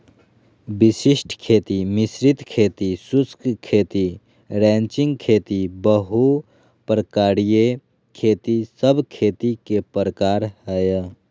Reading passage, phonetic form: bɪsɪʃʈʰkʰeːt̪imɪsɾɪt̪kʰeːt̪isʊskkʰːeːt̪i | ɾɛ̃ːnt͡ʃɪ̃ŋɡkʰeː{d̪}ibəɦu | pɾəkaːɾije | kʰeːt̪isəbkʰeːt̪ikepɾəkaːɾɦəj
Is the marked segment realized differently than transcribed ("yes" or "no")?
yes